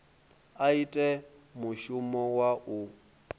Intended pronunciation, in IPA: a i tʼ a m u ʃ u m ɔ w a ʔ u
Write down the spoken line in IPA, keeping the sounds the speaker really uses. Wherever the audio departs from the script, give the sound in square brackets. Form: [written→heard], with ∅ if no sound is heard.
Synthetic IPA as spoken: a i tʼ [a→ɛ] m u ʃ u m ɔ w a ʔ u